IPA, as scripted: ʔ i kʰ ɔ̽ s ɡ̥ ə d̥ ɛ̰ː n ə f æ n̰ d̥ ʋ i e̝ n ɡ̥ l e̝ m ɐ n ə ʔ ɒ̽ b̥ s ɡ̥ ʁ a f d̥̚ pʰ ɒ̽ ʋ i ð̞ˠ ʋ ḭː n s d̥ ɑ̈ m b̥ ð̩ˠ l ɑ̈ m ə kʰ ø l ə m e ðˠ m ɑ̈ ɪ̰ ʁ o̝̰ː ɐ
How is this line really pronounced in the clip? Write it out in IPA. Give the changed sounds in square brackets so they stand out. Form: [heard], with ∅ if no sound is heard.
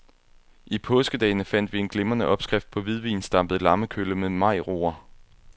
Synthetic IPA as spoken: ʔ i [pʰ] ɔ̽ s ɡ̥ ə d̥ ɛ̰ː n ə f æ n̰ d̥ ʋ i e̝ n ɡ̥ l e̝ m ɐ n ə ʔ ɒ̽ b̥ s ɡ̥ ʁ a f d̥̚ pʰ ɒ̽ ʋ i ð̞ˠ ʋ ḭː n s d̥ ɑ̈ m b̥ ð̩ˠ l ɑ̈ m ə kʰ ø l ə m e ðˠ m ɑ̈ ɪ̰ ʁ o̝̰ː ɐ